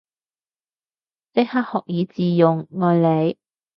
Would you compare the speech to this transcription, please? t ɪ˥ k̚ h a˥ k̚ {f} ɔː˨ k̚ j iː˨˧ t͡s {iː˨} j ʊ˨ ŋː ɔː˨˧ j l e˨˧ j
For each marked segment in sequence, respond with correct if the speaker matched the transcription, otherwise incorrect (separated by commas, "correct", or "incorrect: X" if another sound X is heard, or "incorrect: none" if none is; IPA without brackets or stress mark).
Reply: incorrect: h, correct